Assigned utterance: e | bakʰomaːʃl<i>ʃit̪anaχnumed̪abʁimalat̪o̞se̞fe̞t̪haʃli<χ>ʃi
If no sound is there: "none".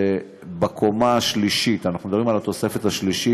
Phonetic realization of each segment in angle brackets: i, none

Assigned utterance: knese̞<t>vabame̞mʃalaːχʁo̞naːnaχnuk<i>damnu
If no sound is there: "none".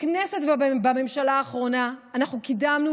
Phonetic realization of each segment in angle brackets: t, i

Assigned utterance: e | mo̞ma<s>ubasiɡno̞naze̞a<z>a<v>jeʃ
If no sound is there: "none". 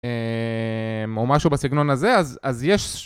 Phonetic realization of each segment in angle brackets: ʃ, z, z

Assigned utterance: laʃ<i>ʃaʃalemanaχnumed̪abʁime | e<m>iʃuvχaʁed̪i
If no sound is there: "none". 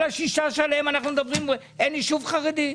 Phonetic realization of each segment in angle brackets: i, n

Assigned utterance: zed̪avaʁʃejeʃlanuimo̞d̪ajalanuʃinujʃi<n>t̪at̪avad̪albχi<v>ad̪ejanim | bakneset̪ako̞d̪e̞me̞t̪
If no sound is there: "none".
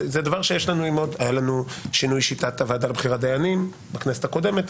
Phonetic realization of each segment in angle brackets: none, ʁ

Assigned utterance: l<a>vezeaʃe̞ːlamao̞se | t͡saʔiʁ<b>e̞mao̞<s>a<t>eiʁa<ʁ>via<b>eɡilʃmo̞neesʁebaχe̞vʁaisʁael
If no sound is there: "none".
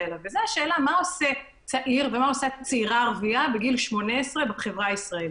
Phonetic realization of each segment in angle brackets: a, v, s, t͡s, ʁ, b

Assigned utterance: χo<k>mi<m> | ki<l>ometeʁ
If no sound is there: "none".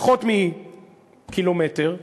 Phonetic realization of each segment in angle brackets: t, none, l

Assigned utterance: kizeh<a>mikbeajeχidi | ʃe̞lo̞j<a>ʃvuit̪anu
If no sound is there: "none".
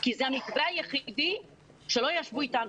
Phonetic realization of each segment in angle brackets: a, a

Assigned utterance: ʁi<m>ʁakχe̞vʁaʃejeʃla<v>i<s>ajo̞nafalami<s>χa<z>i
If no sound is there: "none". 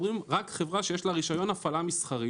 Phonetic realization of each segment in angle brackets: m, ʁ, ʃ, s, ʁ

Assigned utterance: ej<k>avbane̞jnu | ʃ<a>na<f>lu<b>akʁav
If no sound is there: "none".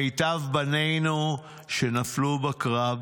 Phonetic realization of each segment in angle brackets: t, e, f, b

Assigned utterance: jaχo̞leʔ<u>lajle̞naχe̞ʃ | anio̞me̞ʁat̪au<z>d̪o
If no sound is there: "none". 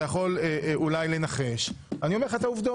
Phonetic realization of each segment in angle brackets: u, v

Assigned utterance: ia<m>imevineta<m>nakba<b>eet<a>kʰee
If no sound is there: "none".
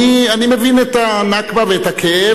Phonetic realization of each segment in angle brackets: n, none, v, a

